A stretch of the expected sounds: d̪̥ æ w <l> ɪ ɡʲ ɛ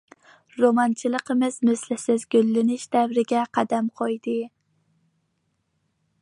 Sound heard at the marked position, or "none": ɾ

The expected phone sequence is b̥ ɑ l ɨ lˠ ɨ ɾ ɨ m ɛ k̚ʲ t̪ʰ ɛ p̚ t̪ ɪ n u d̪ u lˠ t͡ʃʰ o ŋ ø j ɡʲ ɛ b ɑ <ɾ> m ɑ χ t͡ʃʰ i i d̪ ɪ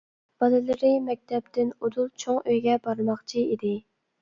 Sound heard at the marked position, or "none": ɾ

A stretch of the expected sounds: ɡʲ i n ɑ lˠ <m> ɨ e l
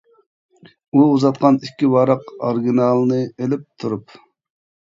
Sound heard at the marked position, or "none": n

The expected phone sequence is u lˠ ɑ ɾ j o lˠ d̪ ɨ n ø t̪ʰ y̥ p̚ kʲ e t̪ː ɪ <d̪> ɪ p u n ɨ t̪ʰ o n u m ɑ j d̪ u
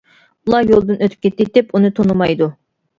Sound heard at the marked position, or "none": t̪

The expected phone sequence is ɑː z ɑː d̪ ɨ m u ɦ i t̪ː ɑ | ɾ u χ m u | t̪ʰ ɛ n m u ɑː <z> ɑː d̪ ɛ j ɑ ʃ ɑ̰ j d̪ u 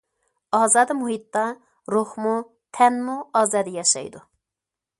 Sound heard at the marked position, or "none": z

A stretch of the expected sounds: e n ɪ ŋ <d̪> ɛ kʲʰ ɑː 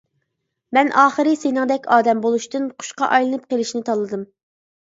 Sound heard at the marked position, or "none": d̪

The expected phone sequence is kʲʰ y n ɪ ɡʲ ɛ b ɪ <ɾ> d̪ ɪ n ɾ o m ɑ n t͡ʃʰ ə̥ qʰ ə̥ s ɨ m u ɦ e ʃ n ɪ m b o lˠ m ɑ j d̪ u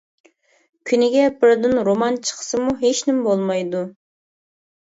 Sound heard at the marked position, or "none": ɾ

